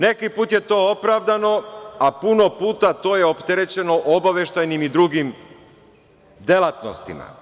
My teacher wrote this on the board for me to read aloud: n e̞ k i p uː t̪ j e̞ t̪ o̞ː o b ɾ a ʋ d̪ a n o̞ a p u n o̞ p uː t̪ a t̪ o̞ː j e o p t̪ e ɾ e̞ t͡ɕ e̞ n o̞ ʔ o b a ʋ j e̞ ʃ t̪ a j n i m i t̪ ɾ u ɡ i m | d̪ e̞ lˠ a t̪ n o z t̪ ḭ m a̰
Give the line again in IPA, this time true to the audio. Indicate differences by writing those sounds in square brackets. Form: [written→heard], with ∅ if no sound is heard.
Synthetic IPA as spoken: n e̞ k i p uː t̪ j e̞ t̪ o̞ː o [b→p] ɾ a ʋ d̪ a n o̞ a p u n o̞ p uː t̪ a t̪ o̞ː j e o p t̪ e ɾ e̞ t͡ɕ e̞ n o̞ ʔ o b a ʋ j e̞ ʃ t̪ a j n i m i [t̪→d̪] ɾ u ɡ i m | d̪ e̞ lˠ a t̪ n o [z→s] t̪ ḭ m a̰

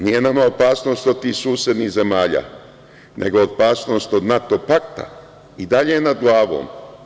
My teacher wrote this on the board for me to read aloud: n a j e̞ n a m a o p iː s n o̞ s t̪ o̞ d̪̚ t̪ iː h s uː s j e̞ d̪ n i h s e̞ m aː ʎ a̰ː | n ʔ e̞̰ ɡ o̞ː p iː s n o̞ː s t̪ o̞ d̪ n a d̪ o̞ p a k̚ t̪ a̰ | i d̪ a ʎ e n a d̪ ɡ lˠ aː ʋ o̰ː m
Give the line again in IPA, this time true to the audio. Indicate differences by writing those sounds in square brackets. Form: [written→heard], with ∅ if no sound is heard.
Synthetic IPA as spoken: n [a→i] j e̞ n a m a o p [iː→aː] s n o̞ s t̪ o̞ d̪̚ t̪ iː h s uː s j e̞ d̪ n i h [s→z] e̞ m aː ʎ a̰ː | n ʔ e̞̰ ɡ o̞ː p [iː→aː] s n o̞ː s t̪ o̞ d̪ n a [d̪→t̪] o̞ p a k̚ t̪ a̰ | i d̪ a ʎ e n a d̪ ɡ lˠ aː ʋ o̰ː m

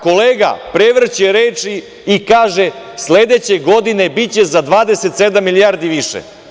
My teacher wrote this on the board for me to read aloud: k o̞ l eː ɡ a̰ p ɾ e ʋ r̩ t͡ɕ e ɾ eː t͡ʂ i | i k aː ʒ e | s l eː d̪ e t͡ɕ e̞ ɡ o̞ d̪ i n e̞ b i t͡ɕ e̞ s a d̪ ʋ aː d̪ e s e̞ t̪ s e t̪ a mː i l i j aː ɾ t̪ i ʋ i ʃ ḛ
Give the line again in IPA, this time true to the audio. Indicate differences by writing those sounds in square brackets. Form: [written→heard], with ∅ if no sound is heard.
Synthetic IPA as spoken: k o̞ l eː ɡ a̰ p ɾ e ʋ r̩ t͡ɕ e ɾ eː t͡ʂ i | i k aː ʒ e | s l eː d̪ e t͡ɕ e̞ ɡ o̞ d̪ i n e̞ b i t͡ɕ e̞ [s→z] a d̪ ʋ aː d̪ e s e̞ t̪ s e [t̪→d̪] a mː i l i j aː ɾ [t̪→d̪] i ʋ i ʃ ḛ

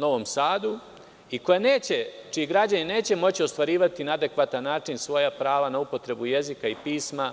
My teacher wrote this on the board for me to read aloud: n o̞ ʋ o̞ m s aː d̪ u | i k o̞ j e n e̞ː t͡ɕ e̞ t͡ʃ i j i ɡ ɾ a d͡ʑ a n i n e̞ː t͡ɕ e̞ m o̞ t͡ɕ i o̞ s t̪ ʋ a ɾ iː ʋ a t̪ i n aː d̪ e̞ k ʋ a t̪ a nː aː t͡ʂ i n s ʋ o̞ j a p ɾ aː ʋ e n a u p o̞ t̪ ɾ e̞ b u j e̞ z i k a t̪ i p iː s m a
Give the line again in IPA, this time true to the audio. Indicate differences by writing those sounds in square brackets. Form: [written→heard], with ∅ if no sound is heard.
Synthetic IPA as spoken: n o̞ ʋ o̞ m s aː d̪ u | i k o̞ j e n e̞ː t͡ɕ e̞ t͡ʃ i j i ɡ ɾ a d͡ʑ a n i n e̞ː t͡ɕ e̞ m o̞ t͡ɕ i o̞ s t̪ ʋ a ɾ iː ʋ a t̪ i n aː d̪ e̞ k ʋ a t̪ a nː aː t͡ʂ i n s ʋ o̞ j a p ɾ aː ʋ [e→a] n a u p o̞ t̪ ɾ e̞ b u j e̞ z i k a [t̪→∅] i p iː s m a

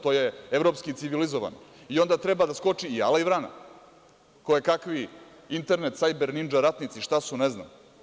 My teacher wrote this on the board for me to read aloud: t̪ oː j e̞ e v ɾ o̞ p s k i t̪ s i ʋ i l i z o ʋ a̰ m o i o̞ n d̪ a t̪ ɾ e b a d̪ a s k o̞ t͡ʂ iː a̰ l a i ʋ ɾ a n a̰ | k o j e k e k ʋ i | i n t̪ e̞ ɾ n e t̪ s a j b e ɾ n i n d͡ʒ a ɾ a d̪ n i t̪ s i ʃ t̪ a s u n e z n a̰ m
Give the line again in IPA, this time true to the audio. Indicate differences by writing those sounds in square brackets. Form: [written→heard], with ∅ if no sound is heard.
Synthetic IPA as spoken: t̪ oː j e̞ e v ɾ o̞ p s k i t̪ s i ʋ i l i z o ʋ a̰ [m→n] o i o̞ n d̪ a t̪ ɾ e b a d̪ a s k o̞ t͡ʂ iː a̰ l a i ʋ ɾ a n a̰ | k o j e k [e→a] k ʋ i | i n t̪ e̞ ɾ n e t̪ s a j b e ɾ n i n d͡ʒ a ɾ a [d̪→t̪] n i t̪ s i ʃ t̪ a s u n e z n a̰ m

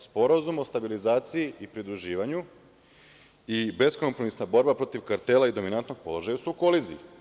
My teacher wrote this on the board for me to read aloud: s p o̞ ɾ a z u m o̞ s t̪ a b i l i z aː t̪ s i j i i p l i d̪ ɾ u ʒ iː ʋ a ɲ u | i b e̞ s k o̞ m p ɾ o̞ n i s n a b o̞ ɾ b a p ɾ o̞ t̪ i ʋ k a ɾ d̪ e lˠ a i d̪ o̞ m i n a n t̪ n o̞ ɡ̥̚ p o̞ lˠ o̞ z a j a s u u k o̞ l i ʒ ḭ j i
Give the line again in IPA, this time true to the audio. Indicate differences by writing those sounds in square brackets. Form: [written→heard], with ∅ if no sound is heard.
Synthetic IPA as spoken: s p o̞ ɾ a z u m o̞ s t̪ a b i l i z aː t̪ s i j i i p [l→ɾ] i d̪ ɾ u ʒ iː ʋ a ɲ u | i b e̞ s k o̞ m p ɾ o̞ [n→m] i s n a b o̞ ɾ b a p ɾ o̞ t̪ i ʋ k a ɾ [d̪→t̪] e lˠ a i d̪ o̞ m i n a n t̪ n o̞ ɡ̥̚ p o̞ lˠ o̞ [z→ʒ] a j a s u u k o̞ l i [ʒ→z] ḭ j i

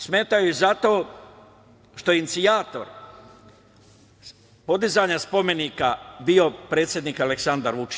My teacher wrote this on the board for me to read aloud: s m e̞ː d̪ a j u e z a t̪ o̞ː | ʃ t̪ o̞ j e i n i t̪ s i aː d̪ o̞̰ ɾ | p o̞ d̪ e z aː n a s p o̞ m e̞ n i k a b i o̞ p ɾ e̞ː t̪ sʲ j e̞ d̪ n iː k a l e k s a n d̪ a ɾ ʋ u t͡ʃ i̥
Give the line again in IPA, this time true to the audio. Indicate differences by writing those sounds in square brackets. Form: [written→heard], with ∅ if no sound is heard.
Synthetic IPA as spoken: s m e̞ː [d̪→t̪] a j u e z a t̪ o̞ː | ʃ t̪ o̞ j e i n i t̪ s i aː [d̪→t̪] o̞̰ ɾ | p o̞ d̪ [e→i] z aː [n→ɲ] a s p o̞ m e̞ n i k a b i o̞ p ɾ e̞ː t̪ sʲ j e̞ d̪ n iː k a l e k s a n d̪ a ɾ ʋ u t͡ʃ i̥

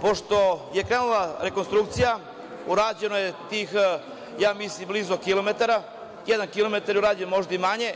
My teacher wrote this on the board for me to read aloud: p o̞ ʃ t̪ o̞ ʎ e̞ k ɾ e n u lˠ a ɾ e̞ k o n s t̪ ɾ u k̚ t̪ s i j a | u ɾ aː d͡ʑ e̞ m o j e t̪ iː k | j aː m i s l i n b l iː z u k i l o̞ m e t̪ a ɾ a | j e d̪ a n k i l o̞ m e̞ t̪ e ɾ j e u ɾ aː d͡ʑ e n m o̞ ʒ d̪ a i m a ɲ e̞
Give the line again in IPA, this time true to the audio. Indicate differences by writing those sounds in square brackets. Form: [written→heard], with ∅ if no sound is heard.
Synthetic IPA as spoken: p o̞ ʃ t̪ o̞ [ʎ→j] e̞ k ɾ e n u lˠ a ɾ e̞ k o n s t̪ ɾ u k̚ t̪ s i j a | u ɾ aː d͡ʑ e̞ [m→n] o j e t̪ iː [k→x] | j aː m i s l i [n→m] b l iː z [u→o] k i l o̞ m e t̪ a ɾ a | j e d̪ a n k i l o̞ m e̞ t̪ [e→a] ɾ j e u ɾ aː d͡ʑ e n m o̞ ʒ d̪ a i m a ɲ e̞

